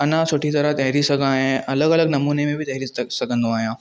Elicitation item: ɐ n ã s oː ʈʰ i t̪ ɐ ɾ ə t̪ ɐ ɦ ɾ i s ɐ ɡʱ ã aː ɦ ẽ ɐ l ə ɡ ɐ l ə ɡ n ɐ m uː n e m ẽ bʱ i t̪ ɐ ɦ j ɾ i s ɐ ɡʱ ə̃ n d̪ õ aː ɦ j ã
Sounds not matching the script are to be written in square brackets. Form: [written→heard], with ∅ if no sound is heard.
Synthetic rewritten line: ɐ n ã s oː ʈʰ i t̪ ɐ ɾ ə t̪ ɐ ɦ ɾ i s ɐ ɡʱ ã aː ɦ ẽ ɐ l ə ɡ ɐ l ə ɡ n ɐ m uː n e m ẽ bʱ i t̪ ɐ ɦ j ɾ i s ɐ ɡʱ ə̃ n d̪ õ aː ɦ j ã